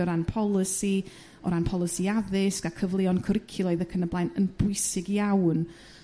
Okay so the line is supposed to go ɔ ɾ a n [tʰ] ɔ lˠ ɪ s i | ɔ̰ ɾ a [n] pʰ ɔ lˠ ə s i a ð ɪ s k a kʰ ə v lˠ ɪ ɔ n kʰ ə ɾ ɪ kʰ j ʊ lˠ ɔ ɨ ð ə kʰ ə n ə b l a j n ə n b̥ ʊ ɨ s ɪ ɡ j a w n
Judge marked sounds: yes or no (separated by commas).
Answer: no, yes